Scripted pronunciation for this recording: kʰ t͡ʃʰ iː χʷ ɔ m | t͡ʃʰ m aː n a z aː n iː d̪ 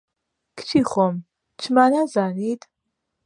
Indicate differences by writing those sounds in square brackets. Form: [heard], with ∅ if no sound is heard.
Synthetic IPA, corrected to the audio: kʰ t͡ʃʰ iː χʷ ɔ m | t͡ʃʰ m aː n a z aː n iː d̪

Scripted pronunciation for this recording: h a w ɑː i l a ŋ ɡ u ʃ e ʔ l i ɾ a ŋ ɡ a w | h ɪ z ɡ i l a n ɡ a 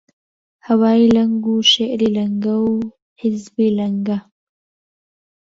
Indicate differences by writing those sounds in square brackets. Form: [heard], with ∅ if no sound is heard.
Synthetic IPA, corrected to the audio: h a w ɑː i l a ŋ ɡ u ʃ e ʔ [ɾ] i [l] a ŋ ɡ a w | h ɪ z [b] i l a [ŋ] ɡ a

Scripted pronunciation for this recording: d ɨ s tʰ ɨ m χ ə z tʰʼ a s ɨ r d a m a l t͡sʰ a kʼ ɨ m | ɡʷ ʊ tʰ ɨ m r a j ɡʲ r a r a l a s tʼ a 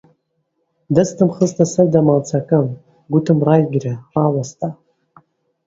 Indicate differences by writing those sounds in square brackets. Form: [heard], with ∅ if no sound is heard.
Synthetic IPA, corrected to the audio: d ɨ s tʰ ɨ m χ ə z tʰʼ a s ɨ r d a m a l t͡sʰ a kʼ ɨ m | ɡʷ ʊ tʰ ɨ m r a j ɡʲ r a r a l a s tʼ a

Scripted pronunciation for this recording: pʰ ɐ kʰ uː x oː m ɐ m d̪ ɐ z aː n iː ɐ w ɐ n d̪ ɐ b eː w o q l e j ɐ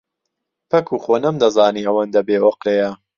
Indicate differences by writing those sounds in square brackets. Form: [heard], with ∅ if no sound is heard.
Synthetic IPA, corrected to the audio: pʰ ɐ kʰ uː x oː [n] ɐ m d̪ ɐ z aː n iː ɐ w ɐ n d̪ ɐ b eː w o q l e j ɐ

